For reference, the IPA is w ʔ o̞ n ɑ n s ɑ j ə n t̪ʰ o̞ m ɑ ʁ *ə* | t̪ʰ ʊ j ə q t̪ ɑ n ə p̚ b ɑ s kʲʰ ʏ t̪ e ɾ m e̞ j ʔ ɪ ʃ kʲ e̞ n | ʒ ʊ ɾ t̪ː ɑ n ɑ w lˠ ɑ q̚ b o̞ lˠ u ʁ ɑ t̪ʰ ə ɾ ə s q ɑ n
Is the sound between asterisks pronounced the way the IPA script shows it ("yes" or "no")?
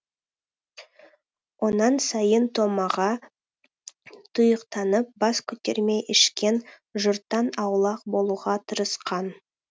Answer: no